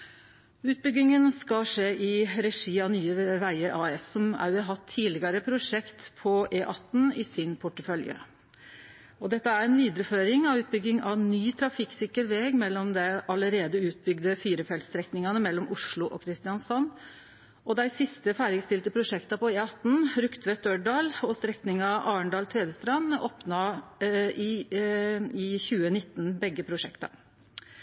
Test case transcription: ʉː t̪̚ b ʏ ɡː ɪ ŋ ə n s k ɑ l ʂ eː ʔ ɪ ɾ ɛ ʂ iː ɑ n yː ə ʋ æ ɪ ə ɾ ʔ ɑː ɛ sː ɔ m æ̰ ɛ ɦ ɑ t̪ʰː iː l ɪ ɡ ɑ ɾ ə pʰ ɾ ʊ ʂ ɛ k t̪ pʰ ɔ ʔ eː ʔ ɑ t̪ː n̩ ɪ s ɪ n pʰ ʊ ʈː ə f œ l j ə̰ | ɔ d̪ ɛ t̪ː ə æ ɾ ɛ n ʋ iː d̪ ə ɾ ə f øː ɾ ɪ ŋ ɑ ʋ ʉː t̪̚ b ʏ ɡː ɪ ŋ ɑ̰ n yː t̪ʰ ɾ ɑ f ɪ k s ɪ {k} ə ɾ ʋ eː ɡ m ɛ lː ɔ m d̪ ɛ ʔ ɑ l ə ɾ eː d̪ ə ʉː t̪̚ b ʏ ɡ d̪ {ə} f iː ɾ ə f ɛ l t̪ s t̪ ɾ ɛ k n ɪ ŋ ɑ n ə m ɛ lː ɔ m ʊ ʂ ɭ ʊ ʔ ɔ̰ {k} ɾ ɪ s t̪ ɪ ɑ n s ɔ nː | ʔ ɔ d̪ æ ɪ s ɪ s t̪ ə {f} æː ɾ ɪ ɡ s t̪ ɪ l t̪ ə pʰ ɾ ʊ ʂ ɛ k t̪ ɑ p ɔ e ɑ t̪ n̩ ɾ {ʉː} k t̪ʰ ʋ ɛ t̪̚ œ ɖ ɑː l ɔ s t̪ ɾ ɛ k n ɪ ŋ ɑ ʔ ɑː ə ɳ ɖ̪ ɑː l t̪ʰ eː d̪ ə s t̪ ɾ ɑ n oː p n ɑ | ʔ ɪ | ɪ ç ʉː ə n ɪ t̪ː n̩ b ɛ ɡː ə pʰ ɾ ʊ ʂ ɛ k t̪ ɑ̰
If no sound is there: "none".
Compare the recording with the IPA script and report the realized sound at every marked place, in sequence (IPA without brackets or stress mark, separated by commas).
k, ə, kʰ, f, ʉ